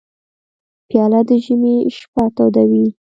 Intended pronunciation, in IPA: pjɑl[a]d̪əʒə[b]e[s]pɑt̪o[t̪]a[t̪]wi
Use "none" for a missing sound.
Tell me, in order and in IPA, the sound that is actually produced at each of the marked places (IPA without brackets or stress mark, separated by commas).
a, m, ʃ, d̪, none